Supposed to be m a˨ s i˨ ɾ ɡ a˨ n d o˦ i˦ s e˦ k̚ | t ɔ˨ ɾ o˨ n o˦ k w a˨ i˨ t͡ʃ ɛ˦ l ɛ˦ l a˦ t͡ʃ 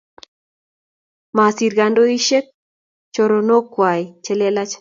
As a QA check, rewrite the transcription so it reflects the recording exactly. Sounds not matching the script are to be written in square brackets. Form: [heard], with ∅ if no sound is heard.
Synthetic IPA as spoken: m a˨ s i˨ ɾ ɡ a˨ n d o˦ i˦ [ʃ] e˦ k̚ | [t͡ʃ] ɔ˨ ɾ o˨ n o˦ k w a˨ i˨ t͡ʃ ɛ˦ l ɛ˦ l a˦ t͡ʃ

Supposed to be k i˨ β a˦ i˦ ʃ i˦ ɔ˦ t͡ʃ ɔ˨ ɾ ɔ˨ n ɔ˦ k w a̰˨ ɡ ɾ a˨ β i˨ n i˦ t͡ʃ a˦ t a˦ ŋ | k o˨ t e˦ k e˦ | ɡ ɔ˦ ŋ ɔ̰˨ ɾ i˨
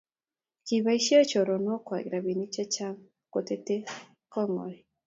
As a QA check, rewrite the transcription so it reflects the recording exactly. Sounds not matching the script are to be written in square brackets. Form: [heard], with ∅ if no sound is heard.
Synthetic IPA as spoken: k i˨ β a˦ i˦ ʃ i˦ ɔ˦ t͡ʃ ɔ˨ ɾ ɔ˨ n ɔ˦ k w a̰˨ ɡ ɾ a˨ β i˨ n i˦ t͡ʃ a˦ [t͡ʃ] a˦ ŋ | k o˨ t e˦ [t] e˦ | [k] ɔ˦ ŋ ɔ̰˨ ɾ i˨

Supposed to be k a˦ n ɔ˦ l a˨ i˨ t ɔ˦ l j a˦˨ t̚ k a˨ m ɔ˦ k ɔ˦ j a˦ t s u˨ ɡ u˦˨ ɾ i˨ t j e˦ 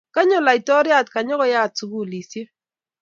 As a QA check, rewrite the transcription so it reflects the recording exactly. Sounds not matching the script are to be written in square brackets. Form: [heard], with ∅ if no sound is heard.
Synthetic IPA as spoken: k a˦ [ɲ] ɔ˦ l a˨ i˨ t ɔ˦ [ɾ] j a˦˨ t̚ k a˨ [ɲ] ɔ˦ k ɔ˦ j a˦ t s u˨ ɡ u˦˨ [l] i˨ [s] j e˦

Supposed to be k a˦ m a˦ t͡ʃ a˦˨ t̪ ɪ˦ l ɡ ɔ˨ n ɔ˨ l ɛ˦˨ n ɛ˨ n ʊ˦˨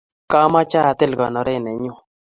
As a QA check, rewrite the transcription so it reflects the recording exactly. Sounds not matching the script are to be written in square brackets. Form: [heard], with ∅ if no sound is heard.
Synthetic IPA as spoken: k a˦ m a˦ t͡ʃ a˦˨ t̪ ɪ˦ l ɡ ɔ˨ n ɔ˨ [ɾ] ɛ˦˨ n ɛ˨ [ɲ] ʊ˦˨

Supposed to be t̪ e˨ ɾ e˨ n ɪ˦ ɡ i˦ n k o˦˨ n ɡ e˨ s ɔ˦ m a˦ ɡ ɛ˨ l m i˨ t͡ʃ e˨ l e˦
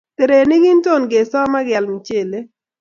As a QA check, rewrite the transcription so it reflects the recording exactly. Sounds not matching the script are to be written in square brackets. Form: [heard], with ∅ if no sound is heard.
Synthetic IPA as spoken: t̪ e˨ ɾ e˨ n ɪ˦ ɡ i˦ n [t] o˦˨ n ɡ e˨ s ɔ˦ m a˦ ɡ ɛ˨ l m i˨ t͡ʃ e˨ l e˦

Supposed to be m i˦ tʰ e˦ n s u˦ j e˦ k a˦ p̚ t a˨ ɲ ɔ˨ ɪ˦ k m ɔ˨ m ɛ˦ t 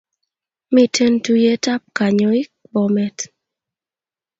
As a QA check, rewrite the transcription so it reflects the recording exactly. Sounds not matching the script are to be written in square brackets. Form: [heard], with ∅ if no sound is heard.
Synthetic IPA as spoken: m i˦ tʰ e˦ n [t] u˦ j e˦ [t] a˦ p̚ [k] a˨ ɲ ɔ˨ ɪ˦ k [b] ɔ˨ m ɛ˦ t

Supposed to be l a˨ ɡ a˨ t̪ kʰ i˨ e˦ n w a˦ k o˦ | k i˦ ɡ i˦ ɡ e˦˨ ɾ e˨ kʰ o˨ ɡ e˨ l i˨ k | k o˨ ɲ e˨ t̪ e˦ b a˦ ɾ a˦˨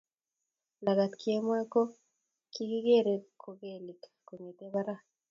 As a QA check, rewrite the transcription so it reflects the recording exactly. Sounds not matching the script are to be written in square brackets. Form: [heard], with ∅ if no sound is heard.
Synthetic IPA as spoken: l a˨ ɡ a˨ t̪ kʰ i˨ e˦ [m] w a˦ k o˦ | k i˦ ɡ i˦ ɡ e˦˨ ɾ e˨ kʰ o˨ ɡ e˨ l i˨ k | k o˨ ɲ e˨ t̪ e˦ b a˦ ɾ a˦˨

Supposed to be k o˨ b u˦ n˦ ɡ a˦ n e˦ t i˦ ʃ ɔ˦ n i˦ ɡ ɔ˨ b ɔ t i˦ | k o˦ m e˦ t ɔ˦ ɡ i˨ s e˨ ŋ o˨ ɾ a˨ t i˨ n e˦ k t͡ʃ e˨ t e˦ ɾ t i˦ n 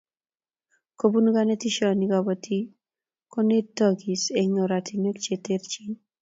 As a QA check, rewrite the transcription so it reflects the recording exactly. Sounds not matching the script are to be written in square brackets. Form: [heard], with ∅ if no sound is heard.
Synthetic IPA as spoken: k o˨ b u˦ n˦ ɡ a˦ n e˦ t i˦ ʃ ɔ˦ n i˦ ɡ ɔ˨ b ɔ t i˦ | k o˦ [n] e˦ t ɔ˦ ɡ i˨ s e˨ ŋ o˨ ɾ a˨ t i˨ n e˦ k t͡ʃ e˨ t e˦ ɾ [t͡ʃ] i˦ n

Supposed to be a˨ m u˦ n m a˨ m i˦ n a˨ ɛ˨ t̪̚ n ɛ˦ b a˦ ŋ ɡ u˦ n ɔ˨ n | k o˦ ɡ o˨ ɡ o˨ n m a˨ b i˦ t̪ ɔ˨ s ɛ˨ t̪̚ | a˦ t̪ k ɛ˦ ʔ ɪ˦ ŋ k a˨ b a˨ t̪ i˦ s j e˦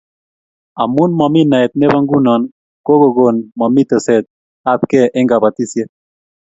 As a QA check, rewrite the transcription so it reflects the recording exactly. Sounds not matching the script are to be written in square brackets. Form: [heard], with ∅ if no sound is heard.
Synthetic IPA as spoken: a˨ m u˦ n m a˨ m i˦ n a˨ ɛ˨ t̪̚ n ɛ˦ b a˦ ŋ ɡ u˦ n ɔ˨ n | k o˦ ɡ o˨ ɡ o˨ n m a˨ [m] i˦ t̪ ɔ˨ s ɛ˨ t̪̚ | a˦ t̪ k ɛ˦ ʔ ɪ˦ ŋ [ɡ] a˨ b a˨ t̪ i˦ s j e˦

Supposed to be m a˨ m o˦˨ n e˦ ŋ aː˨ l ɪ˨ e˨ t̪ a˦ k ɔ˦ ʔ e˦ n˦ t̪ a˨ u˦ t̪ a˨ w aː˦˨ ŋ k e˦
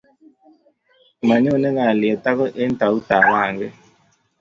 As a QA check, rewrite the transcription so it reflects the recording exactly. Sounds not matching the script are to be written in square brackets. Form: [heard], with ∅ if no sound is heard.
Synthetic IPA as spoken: m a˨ [ɲ] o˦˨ n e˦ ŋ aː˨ l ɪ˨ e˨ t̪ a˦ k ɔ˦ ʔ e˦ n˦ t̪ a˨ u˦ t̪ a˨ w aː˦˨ ŋ [ɡ] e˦

